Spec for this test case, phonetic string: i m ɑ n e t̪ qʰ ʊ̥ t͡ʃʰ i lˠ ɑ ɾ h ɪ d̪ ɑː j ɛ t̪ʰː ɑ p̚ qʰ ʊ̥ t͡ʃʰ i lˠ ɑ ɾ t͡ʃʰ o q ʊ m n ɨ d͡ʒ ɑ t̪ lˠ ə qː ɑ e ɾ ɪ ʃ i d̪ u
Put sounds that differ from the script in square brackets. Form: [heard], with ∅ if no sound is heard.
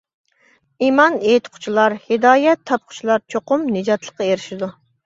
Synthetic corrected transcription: i m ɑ n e t̪ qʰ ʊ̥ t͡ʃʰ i lˠ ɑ ɾ h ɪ d̪ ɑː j ɛ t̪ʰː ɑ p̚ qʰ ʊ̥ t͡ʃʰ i lˠ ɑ ɾ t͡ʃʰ o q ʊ m n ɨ d͡ʒ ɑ t̪ lˠ ə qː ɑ e ɾ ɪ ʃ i d̪ u